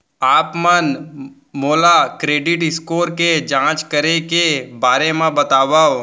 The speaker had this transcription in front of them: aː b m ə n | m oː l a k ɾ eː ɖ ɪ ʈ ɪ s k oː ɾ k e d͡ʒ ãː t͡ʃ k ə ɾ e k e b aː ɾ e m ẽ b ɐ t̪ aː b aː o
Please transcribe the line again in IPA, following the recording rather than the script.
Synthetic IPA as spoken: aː p m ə n | m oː l a k ɾ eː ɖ ɪ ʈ ɪ s k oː ɾ k e d͡ʒ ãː t͡ʃ k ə ɾ e k e b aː ɾ e m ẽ b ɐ t̪ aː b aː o